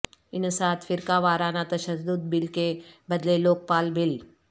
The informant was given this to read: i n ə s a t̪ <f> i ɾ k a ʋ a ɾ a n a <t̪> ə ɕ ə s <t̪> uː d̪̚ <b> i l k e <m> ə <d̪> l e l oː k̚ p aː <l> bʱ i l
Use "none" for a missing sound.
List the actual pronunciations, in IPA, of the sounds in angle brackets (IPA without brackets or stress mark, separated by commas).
f, t̪, d̪, b, b, d̪, l